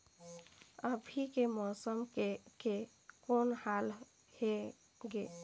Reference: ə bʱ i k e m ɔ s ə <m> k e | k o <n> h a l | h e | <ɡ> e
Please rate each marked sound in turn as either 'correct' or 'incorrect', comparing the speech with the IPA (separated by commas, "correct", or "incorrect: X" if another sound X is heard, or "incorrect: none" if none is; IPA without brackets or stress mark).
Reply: correct, correct, correct